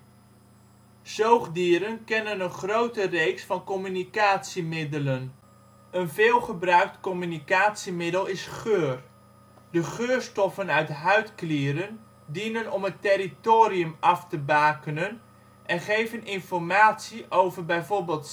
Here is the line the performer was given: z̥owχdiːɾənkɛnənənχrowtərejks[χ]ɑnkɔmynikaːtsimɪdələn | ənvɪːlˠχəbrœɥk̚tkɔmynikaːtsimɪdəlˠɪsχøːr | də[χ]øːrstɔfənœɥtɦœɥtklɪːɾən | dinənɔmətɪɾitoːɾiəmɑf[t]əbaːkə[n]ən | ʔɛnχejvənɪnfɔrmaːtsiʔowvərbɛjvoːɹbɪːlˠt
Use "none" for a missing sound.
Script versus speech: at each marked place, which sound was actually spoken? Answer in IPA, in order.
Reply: f, χ, t, n

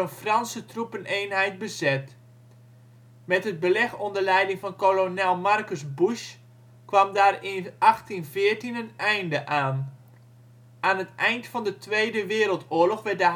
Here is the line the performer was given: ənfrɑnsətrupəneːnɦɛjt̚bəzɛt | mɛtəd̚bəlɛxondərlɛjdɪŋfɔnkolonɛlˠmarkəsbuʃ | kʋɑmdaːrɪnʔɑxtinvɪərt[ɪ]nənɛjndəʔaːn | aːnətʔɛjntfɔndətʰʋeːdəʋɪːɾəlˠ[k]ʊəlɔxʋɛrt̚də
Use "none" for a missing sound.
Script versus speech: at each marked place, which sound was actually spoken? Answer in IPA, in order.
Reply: i, t

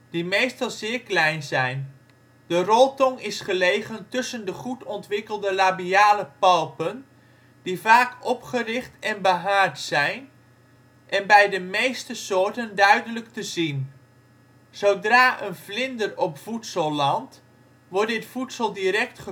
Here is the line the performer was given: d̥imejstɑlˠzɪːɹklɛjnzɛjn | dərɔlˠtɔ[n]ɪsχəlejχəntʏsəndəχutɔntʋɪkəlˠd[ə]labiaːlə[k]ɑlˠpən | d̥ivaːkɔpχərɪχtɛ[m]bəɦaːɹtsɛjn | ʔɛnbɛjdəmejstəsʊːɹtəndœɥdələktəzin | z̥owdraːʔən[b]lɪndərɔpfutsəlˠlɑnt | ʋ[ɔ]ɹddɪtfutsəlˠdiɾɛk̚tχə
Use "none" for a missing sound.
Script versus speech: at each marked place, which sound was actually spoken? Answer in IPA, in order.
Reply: ŋ, ə, p, n, v, ɔ

